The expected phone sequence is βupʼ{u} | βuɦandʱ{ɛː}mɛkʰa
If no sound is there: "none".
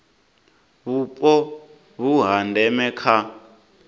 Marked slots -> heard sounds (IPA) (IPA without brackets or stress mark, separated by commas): ɔ, ɛ